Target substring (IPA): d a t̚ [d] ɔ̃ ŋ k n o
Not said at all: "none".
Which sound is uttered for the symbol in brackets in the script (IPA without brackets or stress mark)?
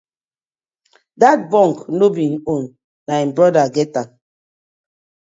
b